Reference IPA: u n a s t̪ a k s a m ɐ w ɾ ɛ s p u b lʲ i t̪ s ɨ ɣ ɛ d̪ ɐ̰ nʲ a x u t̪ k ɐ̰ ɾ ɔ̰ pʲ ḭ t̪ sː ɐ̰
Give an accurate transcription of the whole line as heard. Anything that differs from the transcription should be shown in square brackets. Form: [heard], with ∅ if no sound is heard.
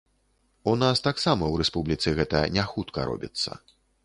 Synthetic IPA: u n a s t̪ a k s a m ɐ w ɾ ɛ s p u b lʲ i t̪ s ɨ ɣ ɛ [t̪] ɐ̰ nʲ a x u t̪ k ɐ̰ ɾ ɔ̰ [bʲ] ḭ t̪ sː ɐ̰